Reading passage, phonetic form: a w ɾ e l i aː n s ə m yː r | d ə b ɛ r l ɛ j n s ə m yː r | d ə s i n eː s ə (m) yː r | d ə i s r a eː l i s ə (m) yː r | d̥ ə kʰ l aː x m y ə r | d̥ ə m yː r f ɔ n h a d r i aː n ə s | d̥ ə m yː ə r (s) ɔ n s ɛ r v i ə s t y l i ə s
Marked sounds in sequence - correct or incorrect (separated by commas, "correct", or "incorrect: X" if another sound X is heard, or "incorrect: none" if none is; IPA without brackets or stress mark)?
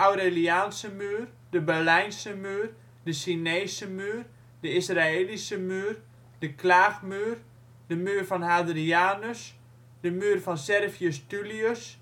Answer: correct, correct, incorrect: f